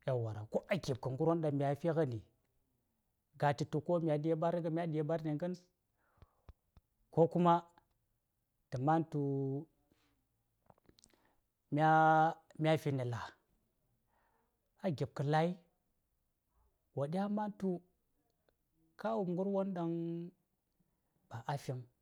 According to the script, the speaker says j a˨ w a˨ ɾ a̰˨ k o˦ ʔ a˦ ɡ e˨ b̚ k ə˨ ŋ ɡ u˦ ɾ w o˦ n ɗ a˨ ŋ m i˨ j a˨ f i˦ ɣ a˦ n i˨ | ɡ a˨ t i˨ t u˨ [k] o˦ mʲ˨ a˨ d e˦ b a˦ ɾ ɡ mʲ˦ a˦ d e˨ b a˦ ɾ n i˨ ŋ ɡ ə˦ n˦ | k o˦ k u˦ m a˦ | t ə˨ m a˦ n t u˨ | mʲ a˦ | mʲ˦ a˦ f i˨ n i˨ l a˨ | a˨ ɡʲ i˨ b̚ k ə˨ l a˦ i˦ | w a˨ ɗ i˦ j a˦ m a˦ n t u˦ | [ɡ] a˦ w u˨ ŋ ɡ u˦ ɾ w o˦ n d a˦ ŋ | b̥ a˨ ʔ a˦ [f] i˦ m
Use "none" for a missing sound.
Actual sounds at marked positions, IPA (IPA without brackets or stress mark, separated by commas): k, k, f